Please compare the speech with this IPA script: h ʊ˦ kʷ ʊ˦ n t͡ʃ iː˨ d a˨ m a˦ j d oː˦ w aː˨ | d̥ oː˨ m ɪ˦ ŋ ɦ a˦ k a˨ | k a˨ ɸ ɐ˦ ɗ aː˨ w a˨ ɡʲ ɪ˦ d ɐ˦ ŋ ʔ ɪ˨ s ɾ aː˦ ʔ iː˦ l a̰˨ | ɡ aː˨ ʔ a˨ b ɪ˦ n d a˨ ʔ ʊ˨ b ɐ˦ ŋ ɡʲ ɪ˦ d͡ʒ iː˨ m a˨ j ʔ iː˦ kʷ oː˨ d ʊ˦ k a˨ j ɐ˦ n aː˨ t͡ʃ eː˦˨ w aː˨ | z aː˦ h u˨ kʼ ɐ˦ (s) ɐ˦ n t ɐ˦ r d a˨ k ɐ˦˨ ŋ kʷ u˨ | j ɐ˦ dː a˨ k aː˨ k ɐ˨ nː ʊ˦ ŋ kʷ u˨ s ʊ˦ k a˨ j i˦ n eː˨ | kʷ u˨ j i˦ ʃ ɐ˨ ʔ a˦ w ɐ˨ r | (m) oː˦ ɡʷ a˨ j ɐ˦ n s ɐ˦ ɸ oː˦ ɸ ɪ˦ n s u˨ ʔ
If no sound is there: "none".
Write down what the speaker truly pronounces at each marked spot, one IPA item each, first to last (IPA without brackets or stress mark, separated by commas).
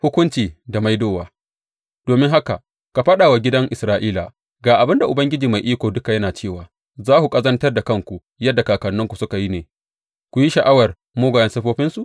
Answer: z, m